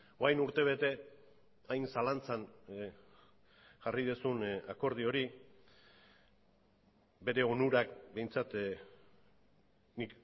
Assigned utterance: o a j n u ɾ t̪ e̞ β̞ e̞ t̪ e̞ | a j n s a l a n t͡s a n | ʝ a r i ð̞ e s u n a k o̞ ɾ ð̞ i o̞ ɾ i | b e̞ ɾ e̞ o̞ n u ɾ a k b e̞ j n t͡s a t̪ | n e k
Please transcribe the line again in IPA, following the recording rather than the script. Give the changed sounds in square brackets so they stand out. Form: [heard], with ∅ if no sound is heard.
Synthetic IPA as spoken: o a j n u ɾ t̪ e̞ β̞ e̞ t̪ e̞ | a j n s a l a n t͡s a n | ʝ a r i ð̞ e s u n a k o̞ ɾ ð̞ i o̞ ɾ i | b e̞ ɾ e̞ o̞ n u ɾ a k b e̞ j n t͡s a t̪ | n [i] k